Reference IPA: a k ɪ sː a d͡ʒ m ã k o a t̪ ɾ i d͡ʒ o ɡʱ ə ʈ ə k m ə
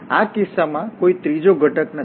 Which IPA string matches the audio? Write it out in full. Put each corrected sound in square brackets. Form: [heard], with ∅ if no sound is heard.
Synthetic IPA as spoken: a k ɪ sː a [∅] m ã k o [i] t̪ ɾ i d͡ʒ o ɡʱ ə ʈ ə k [n] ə